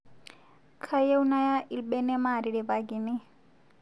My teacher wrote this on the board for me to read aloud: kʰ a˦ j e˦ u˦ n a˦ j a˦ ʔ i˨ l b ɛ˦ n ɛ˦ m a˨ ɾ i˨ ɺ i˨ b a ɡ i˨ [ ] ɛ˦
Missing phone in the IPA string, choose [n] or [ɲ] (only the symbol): n